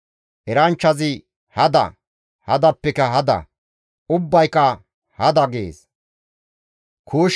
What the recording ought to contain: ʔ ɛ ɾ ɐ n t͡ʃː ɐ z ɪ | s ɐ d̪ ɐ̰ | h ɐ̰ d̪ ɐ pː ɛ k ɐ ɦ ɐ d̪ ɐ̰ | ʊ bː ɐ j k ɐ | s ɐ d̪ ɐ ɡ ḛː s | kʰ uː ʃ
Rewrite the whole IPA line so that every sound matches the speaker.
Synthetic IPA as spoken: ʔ ɛ ɾ ɐ n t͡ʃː ɐ z ɪ | h ɐ d̪ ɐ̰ | h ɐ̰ d̪ ɐ pː ɛ k ɐ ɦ ɐ d̪ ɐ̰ | ʊ bː ɐ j k ɐ | h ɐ d̪ ɐ ɡ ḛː s | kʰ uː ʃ